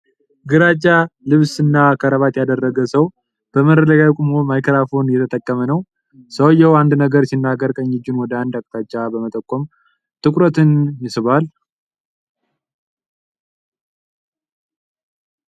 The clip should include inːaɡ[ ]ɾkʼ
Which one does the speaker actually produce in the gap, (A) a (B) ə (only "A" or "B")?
B